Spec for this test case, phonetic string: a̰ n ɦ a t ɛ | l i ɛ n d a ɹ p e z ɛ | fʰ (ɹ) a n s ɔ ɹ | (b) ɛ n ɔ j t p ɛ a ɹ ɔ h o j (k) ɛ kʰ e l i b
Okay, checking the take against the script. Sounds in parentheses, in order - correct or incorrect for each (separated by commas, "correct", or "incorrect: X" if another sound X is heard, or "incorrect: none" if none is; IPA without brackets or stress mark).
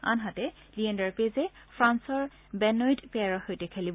correct, correct, incorrect: t